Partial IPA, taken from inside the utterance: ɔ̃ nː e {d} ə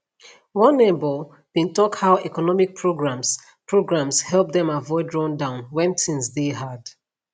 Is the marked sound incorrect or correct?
incorrect